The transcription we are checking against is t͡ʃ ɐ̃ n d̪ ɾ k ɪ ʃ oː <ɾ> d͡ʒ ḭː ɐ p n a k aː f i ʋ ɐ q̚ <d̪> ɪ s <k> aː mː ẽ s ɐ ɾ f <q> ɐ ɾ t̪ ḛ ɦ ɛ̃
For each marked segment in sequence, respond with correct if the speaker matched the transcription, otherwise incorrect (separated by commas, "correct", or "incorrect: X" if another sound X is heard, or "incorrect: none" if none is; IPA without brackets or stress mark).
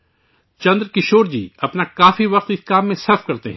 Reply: correct, incorrect: t̪, correct, incorrect: k